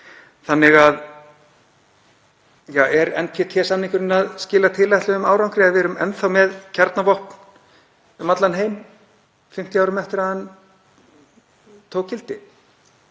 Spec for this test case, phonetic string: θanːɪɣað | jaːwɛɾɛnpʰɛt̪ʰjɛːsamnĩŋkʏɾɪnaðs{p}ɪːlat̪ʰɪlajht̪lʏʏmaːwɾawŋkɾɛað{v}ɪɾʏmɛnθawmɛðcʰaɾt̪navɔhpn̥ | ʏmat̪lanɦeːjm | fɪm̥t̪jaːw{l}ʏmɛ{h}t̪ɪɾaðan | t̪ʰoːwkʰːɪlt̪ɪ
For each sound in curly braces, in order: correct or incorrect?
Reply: incorrect: c, correct, incorrect: ɾ, incorrect: f

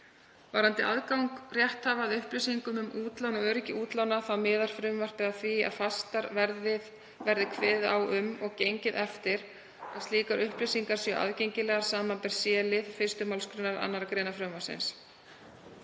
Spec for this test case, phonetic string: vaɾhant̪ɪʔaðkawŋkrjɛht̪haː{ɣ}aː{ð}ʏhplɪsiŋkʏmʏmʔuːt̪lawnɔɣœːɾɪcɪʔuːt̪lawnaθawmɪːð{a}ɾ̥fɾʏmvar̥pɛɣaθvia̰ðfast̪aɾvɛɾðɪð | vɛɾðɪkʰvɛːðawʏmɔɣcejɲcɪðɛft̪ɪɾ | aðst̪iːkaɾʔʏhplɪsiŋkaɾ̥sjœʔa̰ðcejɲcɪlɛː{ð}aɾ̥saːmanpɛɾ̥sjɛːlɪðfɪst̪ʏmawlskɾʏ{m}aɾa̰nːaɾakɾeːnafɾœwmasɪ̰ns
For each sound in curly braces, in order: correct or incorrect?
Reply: incorrect: v, correct, correct, incorrect: ɣ, incorrect: n

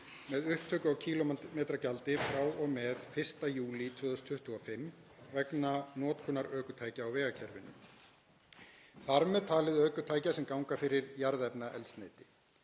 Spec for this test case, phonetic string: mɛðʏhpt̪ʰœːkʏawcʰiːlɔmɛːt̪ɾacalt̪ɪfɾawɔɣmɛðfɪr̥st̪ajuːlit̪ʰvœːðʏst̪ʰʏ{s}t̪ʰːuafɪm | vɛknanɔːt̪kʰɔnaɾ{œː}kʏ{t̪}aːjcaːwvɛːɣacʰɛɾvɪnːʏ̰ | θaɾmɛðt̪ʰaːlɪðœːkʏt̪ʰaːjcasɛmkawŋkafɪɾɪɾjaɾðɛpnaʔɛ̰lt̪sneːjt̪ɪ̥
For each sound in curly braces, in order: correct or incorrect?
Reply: incorrect: h, correct, incorrect: t̪ʰ

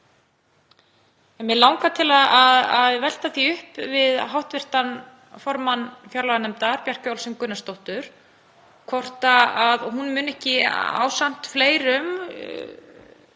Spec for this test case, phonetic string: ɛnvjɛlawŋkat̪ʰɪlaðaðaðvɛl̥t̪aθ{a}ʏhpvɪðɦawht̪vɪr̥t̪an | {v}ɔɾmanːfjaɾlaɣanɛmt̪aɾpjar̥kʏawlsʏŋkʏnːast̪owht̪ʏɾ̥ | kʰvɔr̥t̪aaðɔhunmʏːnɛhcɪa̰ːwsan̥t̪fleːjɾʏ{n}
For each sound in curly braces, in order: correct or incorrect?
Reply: incorrect: i, incorrect: f, incorrect: m

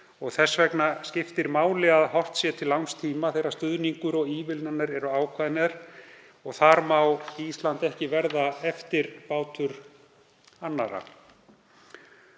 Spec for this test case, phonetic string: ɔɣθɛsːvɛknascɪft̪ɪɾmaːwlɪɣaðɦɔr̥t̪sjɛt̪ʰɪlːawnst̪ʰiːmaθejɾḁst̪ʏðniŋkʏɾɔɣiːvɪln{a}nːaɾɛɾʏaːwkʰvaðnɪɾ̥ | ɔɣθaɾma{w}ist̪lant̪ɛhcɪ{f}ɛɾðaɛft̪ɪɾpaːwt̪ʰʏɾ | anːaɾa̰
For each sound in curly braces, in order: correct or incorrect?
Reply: correct, correct, incorrect: v

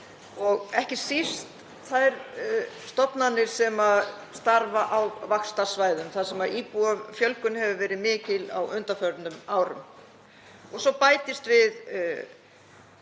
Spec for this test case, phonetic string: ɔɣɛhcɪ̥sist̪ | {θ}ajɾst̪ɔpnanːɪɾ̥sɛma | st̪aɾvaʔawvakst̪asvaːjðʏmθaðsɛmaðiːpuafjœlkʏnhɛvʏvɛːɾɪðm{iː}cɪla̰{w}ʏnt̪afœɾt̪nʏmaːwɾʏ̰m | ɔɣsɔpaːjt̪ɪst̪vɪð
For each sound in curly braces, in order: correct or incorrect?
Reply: correct, incorrect: ɪː, correct

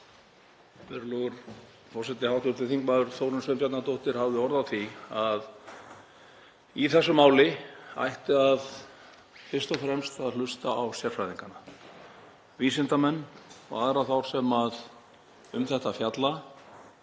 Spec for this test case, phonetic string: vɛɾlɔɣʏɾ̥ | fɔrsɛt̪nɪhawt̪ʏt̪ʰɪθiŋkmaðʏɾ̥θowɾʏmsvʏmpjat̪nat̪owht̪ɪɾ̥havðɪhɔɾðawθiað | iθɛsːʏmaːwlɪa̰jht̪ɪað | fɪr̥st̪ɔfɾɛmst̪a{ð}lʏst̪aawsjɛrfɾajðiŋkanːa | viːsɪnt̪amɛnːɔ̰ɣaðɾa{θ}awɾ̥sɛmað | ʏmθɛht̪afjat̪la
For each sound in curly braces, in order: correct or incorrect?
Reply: correct, correct

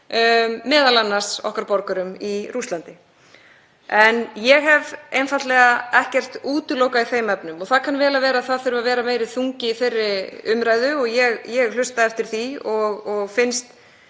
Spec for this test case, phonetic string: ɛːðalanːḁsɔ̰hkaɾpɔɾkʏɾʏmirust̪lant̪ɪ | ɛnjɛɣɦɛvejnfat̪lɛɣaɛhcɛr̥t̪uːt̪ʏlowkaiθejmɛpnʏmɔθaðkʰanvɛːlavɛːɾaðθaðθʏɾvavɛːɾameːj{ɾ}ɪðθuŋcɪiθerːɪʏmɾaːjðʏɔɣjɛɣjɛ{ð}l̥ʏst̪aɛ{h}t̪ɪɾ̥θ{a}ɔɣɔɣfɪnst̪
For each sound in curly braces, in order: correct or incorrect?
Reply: correct, incorrect: ɣ, incorrect: f, incorrect: i

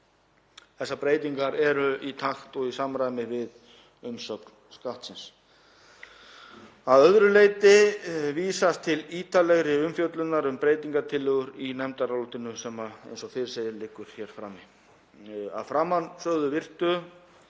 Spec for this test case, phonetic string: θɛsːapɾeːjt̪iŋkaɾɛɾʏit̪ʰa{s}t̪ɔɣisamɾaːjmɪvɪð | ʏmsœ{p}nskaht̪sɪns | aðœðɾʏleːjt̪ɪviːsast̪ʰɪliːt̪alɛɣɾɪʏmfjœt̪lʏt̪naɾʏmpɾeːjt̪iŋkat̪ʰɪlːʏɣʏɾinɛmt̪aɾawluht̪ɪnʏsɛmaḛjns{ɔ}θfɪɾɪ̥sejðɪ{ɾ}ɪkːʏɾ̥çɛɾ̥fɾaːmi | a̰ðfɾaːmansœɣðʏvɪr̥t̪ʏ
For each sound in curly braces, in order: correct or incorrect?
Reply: incorrect: x, incorrect: k, correct, incorrect: l

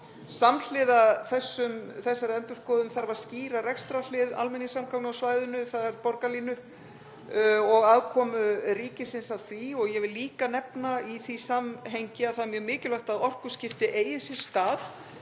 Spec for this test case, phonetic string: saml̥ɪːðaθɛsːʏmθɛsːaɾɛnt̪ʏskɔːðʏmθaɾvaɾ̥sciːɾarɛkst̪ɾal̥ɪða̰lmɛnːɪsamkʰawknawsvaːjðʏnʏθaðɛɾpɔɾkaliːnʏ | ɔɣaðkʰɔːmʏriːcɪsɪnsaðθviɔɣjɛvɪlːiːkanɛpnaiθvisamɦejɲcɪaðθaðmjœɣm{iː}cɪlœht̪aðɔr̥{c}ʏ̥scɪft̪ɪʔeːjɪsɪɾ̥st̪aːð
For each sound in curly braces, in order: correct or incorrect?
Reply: incorrect: ɪː, incorrect: k

